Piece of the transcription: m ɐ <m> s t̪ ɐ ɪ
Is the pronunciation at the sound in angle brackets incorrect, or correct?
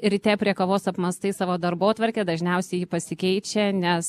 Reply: incorrect